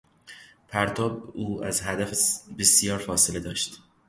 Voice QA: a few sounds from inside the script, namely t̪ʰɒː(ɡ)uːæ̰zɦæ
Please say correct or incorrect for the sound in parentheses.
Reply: incorrect